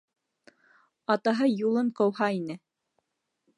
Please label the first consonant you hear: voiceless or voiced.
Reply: voiceless